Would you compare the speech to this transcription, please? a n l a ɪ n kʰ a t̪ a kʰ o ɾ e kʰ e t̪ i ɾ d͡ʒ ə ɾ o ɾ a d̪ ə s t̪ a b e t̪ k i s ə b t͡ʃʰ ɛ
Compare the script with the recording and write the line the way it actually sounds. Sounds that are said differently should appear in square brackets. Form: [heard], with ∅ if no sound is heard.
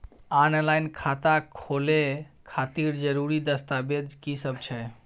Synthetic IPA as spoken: a n l a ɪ n kʰ a t̪ a kʰ o [l] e kʰ [a] t̪ i ɾ d͡ʒ ə ɾ [u] ɾ [i] d̪ ə s t̪ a b e [d̪] k i s ə b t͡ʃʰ ɛ